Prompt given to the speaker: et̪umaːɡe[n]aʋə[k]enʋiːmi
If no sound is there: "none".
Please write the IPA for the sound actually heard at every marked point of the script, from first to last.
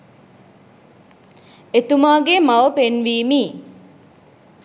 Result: m, p

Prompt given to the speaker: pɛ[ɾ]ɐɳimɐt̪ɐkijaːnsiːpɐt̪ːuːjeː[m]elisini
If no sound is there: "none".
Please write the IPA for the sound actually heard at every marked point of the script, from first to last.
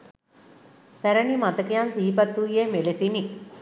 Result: ɾ, m

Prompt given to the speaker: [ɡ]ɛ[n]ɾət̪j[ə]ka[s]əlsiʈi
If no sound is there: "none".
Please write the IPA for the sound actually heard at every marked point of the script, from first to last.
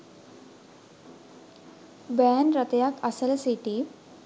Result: b, n, a, s

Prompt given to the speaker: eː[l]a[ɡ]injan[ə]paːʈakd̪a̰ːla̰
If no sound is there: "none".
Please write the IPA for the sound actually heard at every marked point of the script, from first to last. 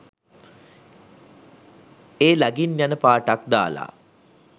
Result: l, ɡ, ə

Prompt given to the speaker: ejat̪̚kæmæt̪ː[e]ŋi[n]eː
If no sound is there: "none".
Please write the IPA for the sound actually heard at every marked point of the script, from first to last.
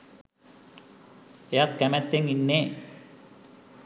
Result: e, nː

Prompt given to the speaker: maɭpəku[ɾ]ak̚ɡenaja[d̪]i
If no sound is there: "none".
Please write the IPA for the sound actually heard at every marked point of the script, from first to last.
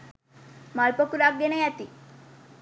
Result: ɾ, t̪

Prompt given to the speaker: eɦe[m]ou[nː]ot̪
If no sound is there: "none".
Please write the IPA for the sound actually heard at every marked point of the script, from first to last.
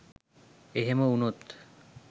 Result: m, n

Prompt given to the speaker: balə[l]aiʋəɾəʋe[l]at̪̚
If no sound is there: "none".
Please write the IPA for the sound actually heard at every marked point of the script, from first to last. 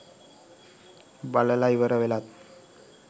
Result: l, l

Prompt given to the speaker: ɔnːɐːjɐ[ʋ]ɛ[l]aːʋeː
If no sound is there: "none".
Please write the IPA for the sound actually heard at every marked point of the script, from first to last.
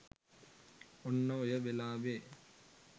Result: ʋ, l

